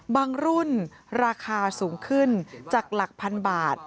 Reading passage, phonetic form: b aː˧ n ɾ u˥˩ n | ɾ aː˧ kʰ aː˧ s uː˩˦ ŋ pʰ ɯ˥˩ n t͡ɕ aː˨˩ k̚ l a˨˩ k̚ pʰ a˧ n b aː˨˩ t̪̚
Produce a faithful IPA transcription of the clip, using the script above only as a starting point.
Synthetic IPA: b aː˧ ŋ ɾ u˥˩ n | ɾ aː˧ kʰ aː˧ s uː˩˦ ŋ kʰ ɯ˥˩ n t͡ɕ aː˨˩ k̚ l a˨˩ k̚ pʰ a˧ n b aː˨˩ t̪̚

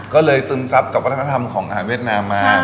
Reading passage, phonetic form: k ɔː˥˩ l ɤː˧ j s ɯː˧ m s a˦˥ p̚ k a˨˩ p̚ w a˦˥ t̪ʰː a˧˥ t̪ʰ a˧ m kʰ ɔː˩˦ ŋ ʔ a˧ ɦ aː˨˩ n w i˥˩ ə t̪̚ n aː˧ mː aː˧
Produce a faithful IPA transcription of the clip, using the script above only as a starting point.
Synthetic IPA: k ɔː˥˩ l ɤː˧ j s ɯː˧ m s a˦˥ p̚ k a˨˩ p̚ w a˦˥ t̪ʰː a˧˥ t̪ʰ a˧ m kʰ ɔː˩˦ ŋ ʔ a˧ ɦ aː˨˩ n w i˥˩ ə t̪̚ n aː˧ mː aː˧

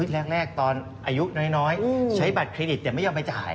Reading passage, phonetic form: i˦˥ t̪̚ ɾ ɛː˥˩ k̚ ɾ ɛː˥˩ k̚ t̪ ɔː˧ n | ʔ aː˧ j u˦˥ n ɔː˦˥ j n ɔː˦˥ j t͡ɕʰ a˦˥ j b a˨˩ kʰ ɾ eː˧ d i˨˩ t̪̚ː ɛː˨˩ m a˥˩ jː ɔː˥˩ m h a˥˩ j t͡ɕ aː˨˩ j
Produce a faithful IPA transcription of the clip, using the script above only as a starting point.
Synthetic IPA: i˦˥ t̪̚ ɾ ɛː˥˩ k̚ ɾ ɛː˥˩ k̚ t̪ ɔː˧ n | ʔ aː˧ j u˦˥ n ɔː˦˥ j n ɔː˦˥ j t͡ɕʰ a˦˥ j b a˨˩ kʰ ɾ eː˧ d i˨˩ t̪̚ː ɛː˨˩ m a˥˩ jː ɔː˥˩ m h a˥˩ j t͡ɕ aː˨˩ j

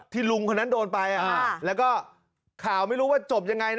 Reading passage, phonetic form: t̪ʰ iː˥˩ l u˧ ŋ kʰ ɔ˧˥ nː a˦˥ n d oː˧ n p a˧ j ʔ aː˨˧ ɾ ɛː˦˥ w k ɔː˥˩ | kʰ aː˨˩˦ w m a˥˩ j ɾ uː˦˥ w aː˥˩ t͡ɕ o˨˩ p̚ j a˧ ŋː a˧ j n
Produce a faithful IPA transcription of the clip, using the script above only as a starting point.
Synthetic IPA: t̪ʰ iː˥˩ l u˧ ŋ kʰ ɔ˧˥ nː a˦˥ n d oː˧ n p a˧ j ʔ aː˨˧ l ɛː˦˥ w k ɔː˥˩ | kʰ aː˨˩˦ w m a˥˩ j ɾ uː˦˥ w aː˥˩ t͡ɕ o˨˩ p̚ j a˧ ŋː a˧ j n

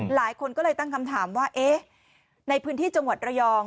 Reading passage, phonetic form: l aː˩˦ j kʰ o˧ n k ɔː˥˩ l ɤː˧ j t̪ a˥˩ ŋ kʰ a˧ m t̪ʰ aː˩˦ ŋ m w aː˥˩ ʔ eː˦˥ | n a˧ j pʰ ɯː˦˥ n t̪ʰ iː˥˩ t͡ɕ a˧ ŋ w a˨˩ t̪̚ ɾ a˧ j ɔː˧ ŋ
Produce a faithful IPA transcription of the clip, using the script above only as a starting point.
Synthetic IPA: l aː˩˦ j kʰ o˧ n k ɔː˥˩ l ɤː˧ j t̪ a˥˩ ŋ kʰ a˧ m t̪ʰ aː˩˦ m w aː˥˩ ʔ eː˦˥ | n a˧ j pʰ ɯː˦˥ n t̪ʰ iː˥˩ t͡ɕ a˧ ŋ w a˨˩ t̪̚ ɾ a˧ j ɔː˧ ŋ

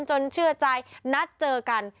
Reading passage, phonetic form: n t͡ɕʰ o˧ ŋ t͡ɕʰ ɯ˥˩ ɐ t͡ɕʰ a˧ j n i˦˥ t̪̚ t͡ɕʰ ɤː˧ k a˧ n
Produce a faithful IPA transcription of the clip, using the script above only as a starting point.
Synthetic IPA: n t͡ɕ o˧ n t͡ɕʰ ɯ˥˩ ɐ t͡ɕ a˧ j n a˦˥ t̪̚ t͡ɕ ɤː˧ k a˧ n

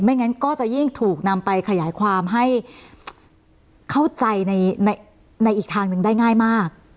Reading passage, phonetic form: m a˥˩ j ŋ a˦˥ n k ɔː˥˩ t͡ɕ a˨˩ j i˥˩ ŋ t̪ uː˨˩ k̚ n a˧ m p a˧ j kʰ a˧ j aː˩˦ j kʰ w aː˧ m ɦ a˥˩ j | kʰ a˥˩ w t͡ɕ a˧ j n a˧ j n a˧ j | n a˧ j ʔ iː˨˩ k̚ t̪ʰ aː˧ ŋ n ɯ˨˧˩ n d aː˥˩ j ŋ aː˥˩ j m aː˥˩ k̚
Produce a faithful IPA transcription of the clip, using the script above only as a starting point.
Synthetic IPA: m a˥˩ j ŋ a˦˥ n k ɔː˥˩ t͡ɕ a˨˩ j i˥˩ ŋ t̪ʰ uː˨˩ k̚ n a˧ m p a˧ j kʰ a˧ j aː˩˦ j kʰ w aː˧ m ɦ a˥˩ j | kʰ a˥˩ w t͡ɕ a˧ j n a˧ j n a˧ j | n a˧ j ʔ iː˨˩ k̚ t̪ʰ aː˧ ŋ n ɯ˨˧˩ ŋ d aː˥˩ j ŋ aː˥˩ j m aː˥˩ k̚

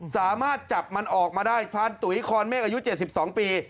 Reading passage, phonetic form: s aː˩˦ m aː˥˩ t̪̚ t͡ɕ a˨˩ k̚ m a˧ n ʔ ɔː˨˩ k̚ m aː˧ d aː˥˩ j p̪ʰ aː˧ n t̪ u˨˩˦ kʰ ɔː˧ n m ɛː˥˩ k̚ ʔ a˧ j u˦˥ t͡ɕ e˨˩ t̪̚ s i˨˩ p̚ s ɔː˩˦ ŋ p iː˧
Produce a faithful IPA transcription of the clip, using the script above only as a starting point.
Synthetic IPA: s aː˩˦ m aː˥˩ t̪̚ t͡ɕ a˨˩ p̚ m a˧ n ʔ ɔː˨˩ k̚ m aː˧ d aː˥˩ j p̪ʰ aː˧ n t̪ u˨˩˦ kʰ ɔː˧ n m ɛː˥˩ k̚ ʔ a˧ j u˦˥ t͡ɕ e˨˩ t̪̚ s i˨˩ p̚ s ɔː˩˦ ŋ p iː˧

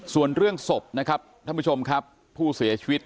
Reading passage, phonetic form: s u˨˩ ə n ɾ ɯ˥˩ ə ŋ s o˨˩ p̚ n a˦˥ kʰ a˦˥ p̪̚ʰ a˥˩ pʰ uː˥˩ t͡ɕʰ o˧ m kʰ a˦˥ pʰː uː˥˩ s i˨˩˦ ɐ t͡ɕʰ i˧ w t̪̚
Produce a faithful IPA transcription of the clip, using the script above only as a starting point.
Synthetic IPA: s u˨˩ ə n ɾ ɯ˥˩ ə ŋ s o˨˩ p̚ n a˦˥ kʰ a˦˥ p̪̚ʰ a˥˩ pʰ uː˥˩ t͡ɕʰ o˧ m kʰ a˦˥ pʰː uː˥˩ s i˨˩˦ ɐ t͡ɕʰ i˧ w t̪̚

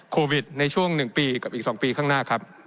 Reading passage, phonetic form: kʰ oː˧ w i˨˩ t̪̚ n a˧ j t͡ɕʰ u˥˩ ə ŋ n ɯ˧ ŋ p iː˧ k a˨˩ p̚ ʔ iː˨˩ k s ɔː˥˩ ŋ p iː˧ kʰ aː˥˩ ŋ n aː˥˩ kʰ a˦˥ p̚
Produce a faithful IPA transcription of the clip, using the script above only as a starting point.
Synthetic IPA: kʰ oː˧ w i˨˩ t̪̚ n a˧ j t͡ɕʰ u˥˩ ə ŋ n ɯ˨˩ ŋ p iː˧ k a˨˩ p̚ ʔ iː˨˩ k s ɔː˩˦ ŋ p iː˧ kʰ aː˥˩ ŋ n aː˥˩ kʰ a˦˥ p̚

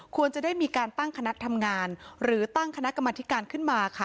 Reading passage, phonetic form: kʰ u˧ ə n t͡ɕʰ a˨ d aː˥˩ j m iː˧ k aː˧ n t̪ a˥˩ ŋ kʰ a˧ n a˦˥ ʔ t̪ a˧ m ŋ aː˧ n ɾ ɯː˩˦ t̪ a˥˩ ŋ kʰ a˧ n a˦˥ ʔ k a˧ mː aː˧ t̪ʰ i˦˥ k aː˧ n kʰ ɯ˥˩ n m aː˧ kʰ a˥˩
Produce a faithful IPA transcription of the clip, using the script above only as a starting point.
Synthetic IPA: kʰ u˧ ə n t͡ɕ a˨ d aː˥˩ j m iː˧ k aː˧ n t̪ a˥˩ ŋ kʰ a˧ n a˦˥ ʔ t̪ʰ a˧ m ŋ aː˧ n ɾ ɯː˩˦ t̪ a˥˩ ŋ kʰ a˧ n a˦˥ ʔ k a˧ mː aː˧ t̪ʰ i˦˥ k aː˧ n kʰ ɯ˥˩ n m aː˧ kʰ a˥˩

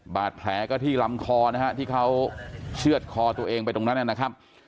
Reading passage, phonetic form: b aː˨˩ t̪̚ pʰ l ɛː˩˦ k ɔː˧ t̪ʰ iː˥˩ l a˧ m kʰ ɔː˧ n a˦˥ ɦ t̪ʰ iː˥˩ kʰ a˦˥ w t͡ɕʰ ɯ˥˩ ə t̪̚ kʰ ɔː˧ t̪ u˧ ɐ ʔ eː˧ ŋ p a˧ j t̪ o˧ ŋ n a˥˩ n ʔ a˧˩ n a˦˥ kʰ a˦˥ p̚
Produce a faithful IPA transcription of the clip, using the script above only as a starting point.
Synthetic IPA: b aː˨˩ t̪̚ pʰ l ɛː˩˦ k ɔː˥˩ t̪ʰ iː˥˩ l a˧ m kʰ ɔː˧ n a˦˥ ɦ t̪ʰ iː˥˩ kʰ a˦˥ w t͡ɕʰ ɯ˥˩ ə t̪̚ kʰ ɔː˧ t̪ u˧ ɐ ʔ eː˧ ŋ p a˧ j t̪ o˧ ŋ n a˦˥ n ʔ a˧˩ n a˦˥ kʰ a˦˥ p̚

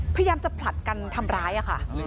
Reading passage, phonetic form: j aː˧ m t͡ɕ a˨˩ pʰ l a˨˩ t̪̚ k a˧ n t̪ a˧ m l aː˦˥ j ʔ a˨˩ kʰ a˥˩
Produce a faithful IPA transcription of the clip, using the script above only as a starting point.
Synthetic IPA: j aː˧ m t͡ɕ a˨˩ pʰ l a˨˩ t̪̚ k a˧ n t̪ʰ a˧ m ɾ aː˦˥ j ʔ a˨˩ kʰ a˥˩

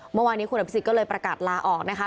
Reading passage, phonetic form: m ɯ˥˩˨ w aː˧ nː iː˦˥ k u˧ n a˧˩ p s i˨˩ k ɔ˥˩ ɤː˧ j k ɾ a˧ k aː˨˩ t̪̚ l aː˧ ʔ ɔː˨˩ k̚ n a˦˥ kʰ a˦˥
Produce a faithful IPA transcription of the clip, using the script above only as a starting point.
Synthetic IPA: m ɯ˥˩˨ w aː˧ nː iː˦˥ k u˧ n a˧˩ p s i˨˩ k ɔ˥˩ ɤː˧ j p ɾ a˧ k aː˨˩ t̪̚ l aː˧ ʔ ɔː˨˩ k̚ n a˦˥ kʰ a˦˥

